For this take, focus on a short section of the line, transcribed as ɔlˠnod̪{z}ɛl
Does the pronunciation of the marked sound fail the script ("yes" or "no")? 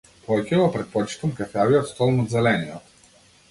no